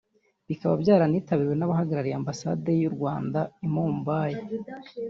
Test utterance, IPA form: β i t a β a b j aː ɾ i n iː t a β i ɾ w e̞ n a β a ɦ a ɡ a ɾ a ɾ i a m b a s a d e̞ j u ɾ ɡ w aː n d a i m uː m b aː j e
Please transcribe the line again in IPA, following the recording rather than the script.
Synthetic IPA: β i k a β a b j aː ɾ a n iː t a β i ɾ w e̞ n a β a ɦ a ɡ a ɾ a ɾ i a m b a s a d e̞ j u ɾ ɡ w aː n d a i m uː m b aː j e